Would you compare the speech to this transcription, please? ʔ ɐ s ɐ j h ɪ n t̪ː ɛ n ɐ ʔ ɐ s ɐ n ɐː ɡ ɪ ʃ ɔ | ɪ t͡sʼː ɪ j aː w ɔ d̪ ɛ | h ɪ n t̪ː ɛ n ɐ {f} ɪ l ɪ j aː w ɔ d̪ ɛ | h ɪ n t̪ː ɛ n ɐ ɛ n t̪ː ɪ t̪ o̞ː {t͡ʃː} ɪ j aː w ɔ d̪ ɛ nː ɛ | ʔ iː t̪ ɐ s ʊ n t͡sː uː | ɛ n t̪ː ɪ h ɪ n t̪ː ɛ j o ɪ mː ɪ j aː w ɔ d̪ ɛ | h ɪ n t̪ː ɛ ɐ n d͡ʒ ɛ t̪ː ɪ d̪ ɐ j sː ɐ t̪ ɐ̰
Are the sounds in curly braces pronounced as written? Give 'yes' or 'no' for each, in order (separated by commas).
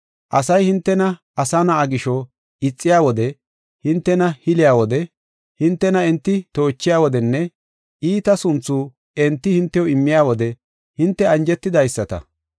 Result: no, yes